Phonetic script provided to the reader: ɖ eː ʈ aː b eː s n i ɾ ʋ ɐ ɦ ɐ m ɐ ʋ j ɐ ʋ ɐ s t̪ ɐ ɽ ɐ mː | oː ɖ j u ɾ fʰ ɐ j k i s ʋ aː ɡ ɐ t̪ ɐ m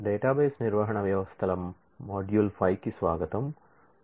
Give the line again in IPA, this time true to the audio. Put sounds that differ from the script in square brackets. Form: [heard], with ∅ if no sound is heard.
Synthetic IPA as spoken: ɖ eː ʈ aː b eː s n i ɾ ʋ ɐ ɦ ɐ [ɳ] ɐ ʋ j ɐ ʋ ɐ s [t̪ʰ] ɐ [l] ɐ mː | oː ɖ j u [l] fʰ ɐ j k i s ʋ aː ɡ ɐ t̪ ɐ m